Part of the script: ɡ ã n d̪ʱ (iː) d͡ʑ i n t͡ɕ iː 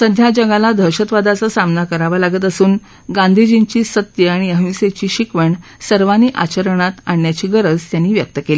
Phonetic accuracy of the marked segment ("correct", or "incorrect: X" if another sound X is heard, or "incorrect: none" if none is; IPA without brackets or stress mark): incorrect: i